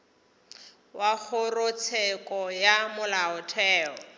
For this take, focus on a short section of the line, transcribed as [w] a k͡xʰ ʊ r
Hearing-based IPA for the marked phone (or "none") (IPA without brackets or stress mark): w